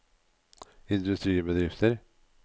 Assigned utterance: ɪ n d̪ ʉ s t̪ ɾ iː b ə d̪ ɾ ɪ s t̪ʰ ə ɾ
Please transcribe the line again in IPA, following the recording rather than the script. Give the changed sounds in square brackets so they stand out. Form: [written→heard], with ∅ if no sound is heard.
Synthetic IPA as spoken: ɪ n d̪ ʉ s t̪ ɾ iː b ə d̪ ɾ ɪ [s→f] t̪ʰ ə ɾ